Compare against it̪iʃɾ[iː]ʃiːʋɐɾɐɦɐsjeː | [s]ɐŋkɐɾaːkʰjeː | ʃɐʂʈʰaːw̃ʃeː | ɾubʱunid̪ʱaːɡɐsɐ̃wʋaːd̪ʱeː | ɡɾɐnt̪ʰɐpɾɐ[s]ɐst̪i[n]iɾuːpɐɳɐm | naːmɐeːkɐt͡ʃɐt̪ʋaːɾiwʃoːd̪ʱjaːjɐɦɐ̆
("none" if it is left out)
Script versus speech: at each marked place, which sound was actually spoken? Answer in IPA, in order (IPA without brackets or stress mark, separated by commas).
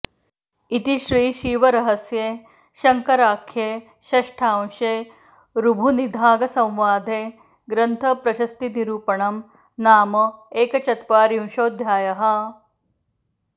iː, ʃ, ʃ, n